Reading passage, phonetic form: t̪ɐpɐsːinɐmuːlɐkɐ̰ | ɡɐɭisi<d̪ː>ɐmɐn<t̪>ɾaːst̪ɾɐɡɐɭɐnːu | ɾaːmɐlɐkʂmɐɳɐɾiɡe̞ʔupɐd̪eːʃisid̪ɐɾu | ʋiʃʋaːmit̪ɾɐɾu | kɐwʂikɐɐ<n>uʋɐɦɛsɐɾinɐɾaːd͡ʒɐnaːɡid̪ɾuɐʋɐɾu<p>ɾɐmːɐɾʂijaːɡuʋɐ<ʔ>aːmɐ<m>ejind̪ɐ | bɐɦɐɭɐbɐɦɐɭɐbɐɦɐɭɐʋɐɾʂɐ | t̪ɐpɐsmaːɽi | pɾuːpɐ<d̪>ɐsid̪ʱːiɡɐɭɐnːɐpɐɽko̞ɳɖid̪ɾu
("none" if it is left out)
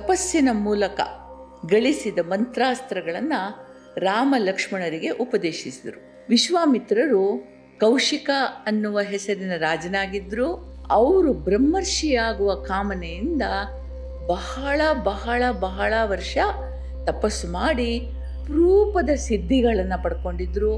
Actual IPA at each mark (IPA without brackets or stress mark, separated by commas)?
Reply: d̪, t̪, nː, b, k, n, d̪